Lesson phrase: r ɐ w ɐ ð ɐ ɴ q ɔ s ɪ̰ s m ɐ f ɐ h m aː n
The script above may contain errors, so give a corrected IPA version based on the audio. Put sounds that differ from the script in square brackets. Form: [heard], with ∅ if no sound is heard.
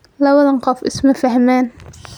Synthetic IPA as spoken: [l] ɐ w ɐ ð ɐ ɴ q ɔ [f] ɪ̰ s m ɐ f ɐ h m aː n